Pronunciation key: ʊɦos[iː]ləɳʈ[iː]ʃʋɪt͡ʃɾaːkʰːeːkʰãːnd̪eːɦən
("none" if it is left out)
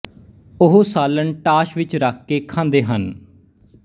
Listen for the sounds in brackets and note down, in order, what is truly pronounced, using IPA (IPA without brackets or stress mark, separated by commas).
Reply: aː, aː